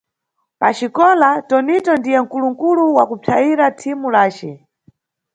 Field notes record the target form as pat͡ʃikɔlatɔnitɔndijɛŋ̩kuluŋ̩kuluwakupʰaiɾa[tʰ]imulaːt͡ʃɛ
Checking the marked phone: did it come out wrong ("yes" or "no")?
no